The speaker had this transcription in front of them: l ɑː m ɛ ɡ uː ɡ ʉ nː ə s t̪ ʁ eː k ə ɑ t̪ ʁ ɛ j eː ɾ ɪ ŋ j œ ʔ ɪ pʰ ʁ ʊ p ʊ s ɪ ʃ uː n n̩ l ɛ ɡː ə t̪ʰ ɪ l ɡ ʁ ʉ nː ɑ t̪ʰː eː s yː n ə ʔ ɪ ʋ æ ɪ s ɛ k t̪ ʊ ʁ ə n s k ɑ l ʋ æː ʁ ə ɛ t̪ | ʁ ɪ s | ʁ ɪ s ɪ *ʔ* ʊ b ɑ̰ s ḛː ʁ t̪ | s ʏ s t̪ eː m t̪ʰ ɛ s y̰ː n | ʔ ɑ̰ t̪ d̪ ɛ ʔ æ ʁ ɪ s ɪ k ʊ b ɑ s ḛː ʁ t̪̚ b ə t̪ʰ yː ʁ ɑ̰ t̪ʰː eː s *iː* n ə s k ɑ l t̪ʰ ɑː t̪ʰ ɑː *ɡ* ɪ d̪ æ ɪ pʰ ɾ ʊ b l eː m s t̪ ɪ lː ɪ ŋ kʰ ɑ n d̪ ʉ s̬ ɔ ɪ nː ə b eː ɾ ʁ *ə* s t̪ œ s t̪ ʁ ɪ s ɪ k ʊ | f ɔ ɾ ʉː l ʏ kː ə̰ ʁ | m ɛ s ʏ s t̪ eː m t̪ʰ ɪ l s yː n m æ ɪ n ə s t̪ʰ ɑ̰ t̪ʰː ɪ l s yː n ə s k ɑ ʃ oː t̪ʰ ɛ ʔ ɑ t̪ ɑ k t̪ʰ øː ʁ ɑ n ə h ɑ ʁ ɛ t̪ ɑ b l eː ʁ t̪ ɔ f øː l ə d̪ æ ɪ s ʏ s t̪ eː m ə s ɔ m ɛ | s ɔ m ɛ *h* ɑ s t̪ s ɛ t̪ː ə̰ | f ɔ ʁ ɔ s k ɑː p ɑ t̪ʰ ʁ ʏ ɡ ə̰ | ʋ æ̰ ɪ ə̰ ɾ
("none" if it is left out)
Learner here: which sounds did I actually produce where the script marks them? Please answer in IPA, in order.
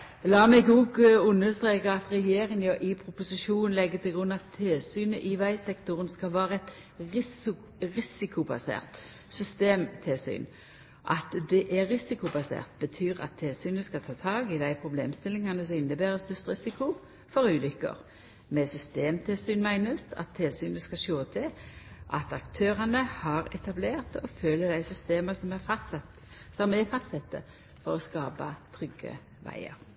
k, yː, ɡ, ə, f

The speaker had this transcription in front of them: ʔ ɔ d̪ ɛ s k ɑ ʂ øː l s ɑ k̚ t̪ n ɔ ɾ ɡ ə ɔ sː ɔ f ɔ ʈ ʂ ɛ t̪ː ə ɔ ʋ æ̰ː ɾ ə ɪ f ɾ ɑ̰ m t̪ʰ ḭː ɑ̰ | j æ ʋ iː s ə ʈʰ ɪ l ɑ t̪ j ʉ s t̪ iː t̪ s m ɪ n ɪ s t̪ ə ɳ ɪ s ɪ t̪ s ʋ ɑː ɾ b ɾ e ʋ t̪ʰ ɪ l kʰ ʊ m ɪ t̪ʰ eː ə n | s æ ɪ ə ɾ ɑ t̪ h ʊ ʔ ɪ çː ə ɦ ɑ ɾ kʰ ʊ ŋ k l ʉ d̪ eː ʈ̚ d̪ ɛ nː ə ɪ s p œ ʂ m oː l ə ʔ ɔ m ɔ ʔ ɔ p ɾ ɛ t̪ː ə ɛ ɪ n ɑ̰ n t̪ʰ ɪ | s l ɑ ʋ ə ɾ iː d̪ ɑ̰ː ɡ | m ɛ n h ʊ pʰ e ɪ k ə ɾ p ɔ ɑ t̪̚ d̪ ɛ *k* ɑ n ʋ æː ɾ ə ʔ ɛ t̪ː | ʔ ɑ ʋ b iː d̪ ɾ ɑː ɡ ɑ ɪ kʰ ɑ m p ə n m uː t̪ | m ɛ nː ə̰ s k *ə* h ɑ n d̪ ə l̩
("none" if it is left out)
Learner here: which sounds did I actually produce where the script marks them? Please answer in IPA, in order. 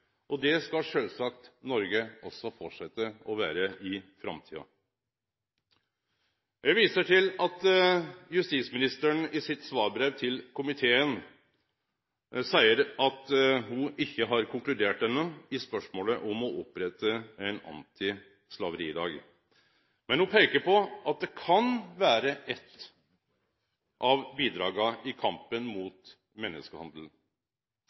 kʰ, ə

